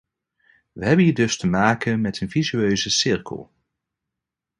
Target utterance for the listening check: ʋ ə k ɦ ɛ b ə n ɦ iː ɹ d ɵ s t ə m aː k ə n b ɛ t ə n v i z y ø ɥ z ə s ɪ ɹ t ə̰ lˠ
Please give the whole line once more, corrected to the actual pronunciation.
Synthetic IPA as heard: ʋ ə ɦ ɛ b ə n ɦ iː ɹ d ɵ s t ə m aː k ə n m ɛ t ə n v i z y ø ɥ z ə s ɪ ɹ k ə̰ lˠ